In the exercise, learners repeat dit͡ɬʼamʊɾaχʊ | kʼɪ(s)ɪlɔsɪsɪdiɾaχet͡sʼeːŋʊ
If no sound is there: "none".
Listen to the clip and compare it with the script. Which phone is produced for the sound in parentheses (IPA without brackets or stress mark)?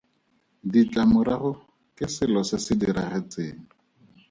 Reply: s